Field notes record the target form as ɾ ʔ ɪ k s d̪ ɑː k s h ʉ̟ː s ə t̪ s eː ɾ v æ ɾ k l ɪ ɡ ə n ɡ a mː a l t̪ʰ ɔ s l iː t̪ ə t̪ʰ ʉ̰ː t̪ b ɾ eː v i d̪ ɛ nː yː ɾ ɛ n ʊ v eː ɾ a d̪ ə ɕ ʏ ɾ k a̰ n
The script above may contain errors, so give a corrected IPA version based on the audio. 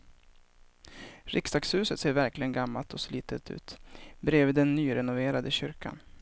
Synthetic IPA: ɾ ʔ ɪ k s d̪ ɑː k s h ʉ̟ː s ə t̪ s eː ɾ v æ ɾ k l ɪ ɡ ə n ɡ a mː a l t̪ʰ ɔ s l iː t̪ ə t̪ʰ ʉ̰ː t̪ b ɾ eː v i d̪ ɛ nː yː ɾ ɛ n ʊ v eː ɾ a d̪ ə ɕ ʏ ɾ k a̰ n